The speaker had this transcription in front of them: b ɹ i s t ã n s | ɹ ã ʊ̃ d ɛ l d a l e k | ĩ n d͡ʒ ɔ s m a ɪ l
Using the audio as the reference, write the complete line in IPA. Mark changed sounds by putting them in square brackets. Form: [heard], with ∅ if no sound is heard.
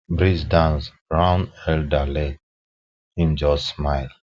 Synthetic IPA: b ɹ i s [d] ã n s | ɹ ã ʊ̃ [n] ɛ l d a l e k | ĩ n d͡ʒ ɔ s m a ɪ l